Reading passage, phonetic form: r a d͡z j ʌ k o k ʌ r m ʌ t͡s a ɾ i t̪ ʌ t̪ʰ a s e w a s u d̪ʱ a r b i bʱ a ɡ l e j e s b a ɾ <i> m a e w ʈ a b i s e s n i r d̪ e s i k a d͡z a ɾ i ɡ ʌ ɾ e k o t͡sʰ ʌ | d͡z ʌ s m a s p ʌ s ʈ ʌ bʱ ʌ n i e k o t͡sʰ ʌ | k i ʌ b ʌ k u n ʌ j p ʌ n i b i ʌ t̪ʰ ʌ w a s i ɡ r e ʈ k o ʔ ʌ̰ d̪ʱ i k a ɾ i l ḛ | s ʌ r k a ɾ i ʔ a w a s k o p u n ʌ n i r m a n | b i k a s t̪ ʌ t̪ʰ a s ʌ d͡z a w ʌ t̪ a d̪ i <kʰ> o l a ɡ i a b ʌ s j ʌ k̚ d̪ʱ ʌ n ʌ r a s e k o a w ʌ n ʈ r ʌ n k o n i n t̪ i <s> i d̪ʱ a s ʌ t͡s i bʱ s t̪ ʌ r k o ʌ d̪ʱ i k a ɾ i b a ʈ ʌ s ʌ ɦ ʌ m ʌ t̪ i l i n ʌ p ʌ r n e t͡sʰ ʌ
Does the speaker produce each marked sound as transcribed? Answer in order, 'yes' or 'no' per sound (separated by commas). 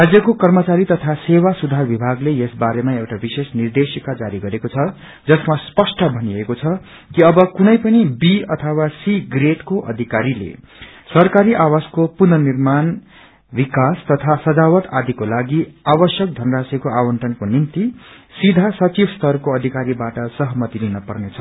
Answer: no, no, yes